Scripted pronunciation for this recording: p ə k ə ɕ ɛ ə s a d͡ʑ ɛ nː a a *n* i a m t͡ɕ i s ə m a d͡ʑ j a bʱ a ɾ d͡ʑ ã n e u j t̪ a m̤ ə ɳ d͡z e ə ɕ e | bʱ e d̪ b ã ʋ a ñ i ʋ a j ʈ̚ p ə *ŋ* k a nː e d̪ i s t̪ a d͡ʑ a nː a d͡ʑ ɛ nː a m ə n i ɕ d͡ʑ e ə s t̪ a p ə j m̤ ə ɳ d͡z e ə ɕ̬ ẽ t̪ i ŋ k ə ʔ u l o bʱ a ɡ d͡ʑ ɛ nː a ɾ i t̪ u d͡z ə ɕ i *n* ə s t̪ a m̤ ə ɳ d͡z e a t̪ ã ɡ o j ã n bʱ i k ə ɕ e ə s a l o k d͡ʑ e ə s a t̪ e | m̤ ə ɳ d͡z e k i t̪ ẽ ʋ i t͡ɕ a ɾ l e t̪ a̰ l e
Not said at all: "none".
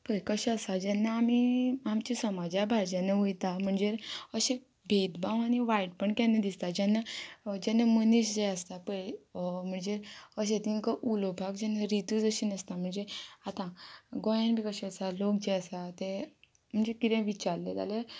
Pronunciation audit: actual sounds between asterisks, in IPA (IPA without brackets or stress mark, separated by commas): m, ɳ, n